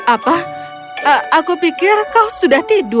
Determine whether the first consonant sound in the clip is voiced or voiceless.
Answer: voiceless